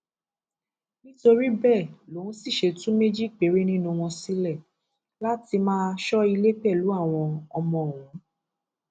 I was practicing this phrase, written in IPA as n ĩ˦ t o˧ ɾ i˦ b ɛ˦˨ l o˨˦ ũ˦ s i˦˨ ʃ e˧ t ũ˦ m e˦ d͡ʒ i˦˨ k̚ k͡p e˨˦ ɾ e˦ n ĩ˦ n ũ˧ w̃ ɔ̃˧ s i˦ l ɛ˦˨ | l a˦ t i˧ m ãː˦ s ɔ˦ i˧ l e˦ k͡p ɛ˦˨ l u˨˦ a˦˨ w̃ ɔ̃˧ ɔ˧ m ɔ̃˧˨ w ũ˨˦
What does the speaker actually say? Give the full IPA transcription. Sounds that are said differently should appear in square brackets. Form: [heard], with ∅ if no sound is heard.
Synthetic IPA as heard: n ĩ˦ t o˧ ɾ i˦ b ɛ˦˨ l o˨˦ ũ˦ s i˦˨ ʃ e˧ t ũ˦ m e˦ d͡ʒ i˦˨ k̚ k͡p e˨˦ ɾ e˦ n ĩ˦ n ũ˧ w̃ ɔ̃˧ s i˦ l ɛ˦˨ | l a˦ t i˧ m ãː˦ [ʃ] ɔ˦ i˧ l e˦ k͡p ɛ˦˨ l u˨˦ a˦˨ w̃ ɔ̃˧ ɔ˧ m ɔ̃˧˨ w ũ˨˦